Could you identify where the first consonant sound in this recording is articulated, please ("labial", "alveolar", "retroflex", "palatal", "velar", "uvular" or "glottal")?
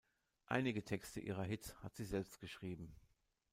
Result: glottal